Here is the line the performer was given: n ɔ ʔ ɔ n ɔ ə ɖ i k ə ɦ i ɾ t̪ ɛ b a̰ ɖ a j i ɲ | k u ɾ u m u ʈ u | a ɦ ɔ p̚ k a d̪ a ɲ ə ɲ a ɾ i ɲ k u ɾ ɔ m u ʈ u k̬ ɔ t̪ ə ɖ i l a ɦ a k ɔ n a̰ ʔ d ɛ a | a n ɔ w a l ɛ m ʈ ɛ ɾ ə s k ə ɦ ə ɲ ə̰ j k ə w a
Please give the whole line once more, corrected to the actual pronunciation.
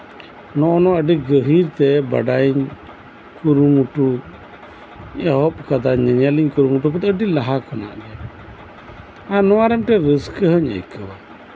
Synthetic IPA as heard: n ɔ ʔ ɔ n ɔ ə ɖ i ɡ ə ɦ i ɾ t̪ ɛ b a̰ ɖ a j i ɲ | k u ɾ u m u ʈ u | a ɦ ɔ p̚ k a d̪ a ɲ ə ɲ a l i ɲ k u ɾ u m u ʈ u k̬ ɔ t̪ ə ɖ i l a ɦ a k ɔ n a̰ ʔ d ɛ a | a n ɔ w a ɾ ɛ m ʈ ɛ ɾ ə s k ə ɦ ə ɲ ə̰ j k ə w a